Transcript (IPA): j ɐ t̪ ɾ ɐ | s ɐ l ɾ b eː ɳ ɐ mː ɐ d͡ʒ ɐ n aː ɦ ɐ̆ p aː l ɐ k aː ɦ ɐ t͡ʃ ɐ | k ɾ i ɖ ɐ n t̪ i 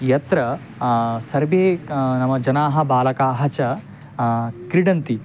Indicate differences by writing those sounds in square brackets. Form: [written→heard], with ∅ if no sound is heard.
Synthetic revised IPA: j ɐ t̪ ɾ ɐ | s ɐ [l→∅] ɾ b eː [ɳ→n] ɐ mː ɐ d͡ʒ ɐ n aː ɦ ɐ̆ [p→b] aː l ɐ k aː ɦ ɐ t͡ʃ ɐ | k ɾ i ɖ ɐ n t̪ i

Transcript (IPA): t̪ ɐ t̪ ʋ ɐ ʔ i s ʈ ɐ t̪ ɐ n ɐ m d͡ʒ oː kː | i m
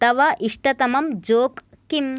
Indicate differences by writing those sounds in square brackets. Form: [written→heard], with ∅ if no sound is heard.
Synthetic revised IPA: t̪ ɐ [t̪→∅] ʋ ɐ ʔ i [s→ʂ] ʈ ɐ t̪ ɐ [n→m] ɐ m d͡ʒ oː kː | i m

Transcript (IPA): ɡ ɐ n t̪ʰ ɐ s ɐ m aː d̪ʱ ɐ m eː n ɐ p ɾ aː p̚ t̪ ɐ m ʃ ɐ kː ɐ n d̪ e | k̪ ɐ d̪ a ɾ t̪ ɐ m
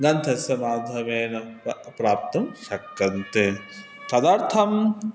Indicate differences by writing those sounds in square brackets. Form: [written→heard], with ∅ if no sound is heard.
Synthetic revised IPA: ɡ ɐ n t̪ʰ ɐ s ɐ m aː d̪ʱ ɐ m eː n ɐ p ɾ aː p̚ t̪ ɐ m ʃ ɐ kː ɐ n [d̪→t̪] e | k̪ ɐ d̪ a ɾ [t̪→t̪ʰ] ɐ m

